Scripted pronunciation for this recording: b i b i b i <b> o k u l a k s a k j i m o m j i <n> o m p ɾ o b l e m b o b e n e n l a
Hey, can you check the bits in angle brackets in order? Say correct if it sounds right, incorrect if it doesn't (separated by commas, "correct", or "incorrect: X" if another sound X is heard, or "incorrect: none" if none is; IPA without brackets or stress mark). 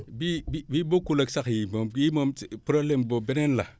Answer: correct, incorrect: m